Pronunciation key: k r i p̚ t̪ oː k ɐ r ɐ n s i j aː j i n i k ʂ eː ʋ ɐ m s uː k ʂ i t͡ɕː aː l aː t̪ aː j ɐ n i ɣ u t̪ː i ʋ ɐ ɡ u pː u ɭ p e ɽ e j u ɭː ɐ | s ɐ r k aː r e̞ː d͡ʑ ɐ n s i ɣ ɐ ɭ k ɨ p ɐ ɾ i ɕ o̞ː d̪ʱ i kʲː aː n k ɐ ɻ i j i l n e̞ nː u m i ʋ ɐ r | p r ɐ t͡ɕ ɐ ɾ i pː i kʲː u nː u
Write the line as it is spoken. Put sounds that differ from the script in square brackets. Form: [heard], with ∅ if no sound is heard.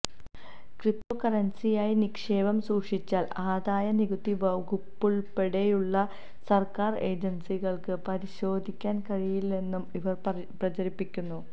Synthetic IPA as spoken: k r i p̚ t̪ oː k ɐ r ɐ n s i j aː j i n i k ʂ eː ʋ ɐ m s uː k ʂ i t͡ɕː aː l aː [d̪] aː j ɐ n i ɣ u t̪ː i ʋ ɐ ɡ u pː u ɭ p e ɽ e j u ɭː ɐ | s ɐ r k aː r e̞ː d͡ʑ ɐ n s i ɣ ɐ ɭ k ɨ p ɐ ɾ i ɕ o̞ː d̪ʱ i kʲː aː n k ɐ ɻ i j i l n e̞ nː u m i ʋ ɐ r | p r ɐ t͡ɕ ɐ ɾ i pː i kʲː u nː u